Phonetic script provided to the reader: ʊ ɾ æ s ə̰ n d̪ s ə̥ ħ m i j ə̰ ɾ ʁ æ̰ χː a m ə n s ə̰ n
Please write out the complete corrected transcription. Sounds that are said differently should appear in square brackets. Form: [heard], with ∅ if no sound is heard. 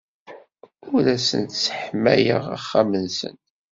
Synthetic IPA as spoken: ʊ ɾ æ s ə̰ n [t̪] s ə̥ ħ m [æ] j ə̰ [∅] ʁ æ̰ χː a m ə n s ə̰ n

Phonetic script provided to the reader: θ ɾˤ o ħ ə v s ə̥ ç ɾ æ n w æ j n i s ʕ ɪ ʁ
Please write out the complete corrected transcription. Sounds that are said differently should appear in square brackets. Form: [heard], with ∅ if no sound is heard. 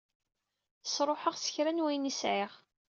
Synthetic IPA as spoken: [s] ɾˤ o ħ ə [ʁ] s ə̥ ç ɾ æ n w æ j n i s ʕ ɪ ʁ

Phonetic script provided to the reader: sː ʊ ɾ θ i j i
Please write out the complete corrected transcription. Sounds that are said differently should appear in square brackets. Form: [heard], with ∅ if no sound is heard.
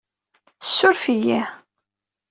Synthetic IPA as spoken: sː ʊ ɾ [f] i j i

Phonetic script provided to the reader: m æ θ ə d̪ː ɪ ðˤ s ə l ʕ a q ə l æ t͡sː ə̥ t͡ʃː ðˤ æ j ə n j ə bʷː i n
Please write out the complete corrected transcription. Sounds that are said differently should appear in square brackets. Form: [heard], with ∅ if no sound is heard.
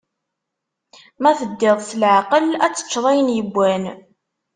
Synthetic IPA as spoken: m æ θ ə d̪ː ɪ ðˤ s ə l ʕ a q ə l æ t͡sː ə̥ t͡ʃː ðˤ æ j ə n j ə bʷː [æ] n

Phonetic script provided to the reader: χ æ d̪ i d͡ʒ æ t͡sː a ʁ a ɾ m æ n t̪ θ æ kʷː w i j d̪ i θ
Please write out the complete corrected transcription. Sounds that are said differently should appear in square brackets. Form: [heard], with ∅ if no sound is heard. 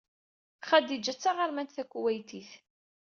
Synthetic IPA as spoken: χ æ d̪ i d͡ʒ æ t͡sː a ʁ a ɾ m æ n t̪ θ æ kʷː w [æ] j [t̪] i θ

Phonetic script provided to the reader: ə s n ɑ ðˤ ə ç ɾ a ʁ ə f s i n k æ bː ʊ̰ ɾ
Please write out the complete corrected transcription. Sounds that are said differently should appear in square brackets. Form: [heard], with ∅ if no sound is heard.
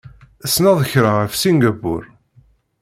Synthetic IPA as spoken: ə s n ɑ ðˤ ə ç ɾ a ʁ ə f s i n [ɡ] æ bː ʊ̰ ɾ

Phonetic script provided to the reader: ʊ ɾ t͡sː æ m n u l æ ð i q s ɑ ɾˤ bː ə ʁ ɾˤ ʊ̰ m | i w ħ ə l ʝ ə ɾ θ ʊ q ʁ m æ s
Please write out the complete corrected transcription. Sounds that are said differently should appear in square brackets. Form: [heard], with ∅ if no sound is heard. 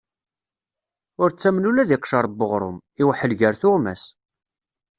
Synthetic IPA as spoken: ʊ ɾ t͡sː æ m n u l æ ð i q [ʃ] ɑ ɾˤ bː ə ʁ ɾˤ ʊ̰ m | i w ħ ə l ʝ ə ɾ θ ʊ [∅] ʁ m æ s

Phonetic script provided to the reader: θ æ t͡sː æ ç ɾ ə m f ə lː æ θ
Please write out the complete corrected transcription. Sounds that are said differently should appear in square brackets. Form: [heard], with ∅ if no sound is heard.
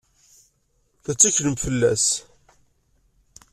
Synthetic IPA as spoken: θ æ t͡sː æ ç [l] ə m f ə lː æ [s]

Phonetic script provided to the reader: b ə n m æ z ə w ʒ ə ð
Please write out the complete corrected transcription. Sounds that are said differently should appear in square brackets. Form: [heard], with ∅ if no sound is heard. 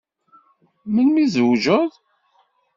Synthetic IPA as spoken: [m] ə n m [i] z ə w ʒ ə ð

